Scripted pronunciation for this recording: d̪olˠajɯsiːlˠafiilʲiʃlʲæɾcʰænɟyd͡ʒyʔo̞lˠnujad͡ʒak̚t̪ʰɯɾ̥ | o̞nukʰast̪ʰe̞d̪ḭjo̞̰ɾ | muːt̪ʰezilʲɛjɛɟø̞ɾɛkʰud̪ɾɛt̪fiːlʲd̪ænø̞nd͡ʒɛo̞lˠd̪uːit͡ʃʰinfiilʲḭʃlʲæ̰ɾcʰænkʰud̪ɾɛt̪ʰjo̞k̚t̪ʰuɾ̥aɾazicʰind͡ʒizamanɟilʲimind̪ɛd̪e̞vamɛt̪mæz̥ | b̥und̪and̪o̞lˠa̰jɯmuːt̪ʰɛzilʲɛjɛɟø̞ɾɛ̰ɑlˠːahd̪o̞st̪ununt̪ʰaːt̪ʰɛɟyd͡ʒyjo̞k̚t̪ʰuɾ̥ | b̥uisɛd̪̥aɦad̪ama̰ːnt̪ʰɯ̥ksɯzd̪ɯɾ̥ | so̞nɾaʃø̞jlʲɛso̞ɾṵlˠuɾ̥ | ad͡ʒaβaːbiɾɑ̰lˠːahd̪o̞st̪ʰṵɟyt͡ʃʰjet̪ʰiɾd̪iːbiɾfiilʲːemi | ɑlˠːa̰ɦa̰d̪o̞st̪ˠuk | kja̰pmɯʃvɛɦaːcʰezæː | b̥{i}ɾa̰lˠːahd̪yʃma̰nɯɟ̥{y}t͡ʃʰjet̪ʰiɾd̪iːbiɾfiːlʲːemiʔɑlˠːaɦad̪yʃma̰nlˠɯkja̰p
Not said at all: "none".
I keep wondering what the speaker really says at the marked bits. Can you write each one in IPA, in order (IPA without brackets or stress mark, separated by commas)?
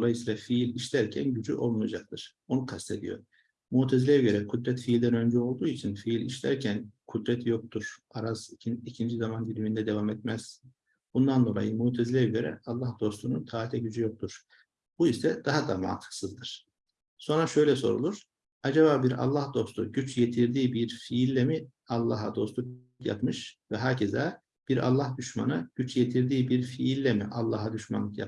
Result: i, y